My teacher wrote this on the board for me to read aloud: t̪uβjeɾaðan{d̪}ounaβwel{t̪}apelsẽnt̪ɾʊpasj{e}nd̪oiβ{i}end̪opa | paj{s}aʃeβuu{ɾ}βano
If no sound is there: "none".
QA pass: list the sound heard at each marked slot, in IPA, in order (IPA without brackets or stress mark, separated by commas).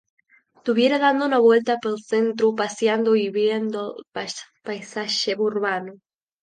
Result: d̪, t̪, a, j, s, ɾ